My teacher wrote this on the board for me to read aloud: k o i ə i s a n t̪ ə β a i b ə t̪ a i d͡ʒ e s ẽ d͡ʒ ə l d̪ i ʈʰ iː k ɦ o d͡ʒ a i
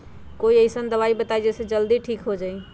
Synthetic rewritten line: k o i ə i s ə n d̪ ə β a i b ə t̪ a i d͡ʒ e s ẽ d͡ʒ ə l d̪ i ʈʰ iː k ɦ o d͡ʒ a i

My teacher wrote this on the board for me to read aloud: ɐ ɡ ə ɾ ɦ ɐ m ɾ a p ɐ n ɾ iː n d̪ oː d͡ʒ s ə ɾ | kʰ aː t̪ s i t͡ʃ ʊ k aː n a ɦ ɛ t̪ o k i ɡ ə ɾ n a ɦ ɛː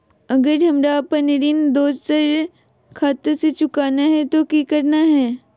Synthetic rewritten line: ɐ ɡ ə ɾ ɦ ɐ m ɾ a p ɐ n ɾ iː n d̪ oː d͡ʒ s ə ɾ | kʰ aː t̪ s e t͡ʃ ʊ k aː n a ɦ ɛ t̪ o k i k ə ɾ n a ɦ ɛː

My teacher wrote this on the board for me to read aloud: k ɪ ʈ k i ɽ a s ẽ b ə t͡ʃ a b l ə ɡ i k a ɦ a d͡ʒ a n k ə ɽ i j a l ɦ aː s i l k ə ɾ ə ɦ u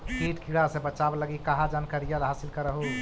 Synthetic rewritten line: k i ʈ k i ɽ a s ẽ b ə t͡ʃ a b l ə ɡ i k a ɦ a d͡ʒ a n k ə ɾ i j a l ɦ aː s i l k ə ɾ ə ɦ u

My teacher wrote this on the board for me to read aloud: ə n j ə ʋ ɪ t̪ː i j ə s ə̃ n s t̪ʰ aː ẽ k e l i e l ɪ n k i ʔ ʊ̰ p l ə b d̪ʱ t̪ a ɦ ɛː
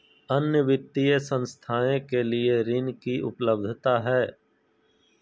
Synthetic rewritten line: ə n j ə ʋ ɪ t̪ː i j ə s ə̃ n s t̪ʰ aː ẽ k e l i e ɾ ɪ n k i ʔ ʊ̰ p l ə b d̪ʱ t̪ a ɦ ɛː

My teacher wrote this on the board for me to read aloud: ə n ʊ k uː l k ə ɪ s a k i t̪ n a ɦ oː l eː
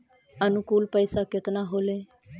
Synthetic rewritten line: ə n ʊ k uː l p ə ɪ s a k ɪ t̪ n a ɦ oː l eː

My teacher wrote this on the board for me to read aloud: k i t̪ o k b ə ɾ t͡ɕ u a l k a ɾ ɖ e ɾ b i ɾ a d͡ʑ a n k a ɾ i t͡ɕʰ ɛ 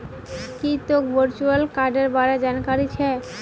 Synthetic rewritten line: k i t̪ o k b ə ɾ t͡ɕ u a l k a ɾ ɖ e ɾ b a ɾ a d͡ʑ a n k a ɾ i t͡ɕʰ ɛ

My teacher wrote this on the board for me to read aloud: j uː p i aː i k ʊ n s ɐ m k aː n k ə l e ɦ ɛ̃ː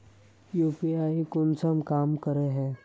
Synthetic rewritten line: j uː p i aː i k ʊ n s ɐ m k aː m k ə ɾ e ɦ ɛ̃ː

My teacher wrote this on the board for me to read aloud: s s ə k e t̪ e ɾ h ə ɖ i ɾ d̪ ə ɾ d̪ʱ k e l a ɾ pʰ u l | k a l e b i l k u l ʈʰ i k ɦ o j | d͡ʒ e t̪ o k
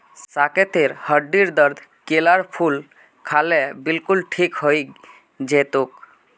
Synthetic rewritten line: s s a k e t̪ e ɾ h ə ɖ i ɾ d̪ ə ɾ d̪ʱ k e l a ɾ pʰ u l | kʰ a l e b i l k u l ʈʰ i k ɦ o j | d͡ʒ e t̪ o k

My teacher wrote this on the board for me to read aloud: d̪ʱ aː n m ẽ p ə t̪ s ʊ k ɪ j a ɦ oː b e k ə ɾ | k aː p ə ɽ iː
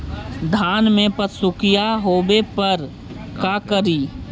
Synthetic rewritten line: d̪ʱ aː n m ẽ p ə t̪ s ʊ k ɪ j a ɦ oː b e p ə ɾ | k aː k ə ɾ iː

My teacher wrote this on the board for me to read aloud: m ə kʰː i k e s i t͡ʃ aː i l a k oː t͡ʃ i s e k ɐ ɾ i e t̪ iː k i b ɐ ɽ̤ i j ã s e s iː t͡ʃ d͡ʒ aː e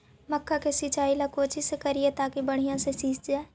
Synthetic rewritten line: m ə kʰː a k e s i t͡ʃ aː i l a k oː t͡ʃ i s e k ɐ ɾ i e t̪ aː k i b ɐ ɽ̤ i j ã s e s iː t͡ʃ d͡ʒ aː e

